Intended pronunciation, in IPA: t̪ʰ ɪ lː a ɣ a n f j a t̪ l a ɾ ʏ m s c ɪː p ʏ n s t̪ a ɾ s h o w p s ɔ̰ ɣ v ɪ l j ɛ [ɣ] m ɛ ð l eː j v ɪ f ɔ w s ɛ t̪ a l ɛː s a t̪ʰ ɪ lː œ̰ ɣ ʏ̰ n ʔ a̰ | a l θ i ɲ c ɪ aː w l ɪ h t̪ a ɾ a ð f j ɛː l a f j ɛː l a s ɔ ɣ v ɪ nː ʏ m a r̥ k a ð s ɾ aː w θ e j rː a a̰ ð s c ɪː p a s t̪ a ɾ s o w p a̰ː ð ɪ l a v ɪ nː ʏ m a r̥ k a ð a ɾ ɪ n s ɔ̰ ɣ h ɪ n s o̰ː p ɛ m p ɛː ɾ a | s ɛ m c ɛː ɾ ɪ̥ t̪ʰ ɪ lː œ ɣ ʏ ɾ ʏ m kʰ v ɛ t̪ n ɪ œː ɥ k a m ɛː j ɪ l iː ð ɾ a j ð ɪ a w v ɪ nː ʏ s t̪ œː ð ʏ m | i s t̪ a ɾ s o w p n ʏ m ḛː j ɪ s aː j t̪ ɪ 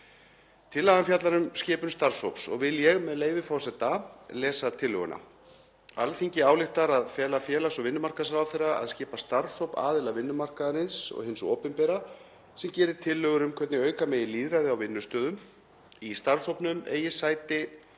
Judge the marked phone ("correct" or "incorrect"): correct